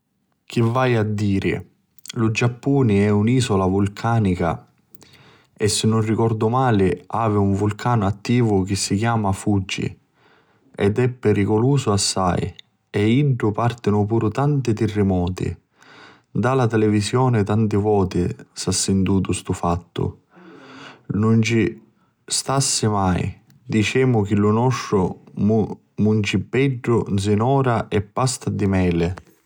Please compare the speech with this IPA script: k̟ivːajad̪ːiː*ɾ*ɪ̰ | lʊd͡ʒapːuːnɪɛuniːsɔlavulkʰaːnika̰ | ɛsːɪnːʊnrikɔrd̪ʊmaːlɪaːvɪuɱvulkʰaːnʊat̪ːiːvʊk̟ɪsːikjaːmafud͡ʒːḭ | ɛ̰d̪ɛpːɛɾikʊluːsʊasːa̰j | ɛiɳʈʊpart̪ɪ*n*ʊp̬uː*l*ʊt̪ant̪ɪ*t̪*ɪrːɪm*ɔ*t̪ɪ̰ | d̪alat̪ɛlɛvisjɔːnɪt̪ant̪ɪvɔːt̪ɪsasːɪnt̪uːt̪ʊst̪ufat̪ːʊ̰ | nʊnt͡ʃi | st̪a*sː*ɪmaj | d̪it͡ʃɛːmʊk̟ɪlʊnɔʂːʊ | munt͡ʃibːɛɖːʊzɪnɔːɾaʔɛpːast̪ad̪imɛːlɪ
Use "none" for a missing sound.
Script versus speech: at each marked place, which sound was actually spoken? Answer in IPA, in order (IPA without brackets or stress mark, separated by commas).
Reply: ɾ, n, ɾ, t̪, ɔː, sː